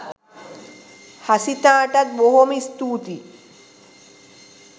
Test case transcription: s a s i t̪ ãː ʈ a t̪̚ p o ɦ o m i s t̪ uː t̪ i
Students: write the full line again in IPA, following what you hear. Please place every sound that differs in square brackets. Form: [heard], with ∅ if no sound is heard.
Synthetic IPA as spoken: [h] a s i t̪ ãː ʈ a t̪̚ [b] o ɦ o m i s t̪ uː t̪ i